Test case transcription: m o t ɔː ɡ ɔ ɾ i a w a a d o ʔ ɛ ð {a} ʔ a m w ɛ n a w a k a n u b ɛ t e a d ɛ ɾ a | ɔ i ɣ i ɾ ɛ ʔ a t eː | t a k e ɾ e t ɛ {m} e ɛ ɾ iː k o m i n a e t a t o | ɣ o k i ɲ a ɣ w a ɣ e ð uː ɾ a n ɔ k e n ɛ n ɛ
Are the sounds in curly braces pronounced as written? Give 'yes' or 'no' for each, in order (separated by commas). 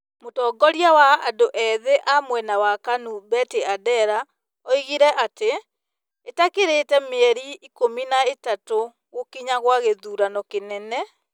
no, yes